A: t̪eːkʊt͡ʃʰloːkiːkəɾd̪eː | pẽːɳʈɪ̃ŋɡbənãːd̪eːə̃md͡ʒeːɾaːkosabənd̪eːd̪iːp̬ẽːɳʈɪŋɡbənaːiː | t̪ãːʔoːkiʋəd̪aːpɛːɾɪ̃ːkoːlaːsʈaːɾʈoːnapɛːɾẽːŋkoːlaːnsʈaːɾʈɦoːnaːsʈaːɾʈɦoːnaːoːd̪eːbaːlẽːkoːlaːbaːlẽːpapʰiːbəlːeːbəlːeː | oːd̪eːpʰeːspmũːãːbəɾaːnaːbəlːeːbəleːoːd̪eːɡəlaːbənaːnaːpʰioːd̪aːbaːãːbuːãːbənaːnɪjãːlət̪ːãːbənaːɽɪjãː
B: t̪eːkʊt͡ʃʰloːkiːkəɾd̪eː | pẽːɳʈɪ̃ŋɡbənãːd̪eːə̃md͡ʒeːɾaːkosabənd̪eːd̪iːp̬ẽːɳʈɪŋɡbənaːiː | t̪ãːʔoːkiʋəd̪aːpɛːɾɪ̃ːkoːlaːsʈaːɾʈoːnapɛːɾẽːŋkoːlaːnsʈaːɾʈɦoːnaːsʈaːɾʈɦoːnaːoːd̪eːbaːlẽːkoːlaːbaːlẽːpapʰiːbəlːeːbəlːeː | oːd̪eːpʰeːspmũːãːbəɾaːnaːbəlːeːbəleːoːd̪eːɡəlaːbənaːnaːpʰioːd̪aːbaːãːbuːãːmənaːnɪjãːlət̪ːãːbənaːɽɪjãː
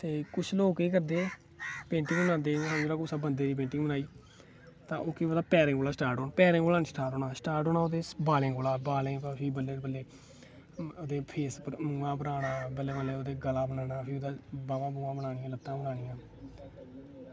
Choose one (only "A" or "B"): A